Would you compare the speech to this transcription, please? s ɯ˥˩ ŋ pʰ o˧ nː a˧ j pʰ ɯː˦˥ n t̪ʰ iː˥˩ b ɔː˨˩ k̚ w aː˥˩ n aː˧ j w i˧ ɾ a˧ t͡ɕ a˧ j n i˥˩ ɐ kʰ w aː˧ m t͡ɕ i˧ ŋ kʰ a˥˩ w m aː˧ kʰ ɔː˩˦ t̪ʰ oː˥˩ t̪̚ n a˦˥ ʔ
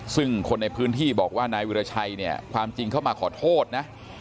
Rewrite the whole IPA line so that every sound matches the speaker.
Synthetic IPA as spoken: s ɯ˥˩ ŋ kʰ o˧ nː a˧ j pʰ ɯː˦˥ n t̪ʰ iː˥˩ b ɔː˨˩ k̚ w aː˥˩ n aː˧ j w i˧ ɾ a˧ t͡ɕʰ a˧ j n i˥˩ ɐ kʰ w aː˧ m t͡ɕ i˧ ŋ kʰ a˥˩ w m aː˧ kʰ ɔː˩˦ t̪ʰ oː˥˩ t̪̚ n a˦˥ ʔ